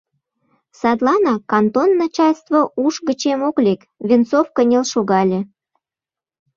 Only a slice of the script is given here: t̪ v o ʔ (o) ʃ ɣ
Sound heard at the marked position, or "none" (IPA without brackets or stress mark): u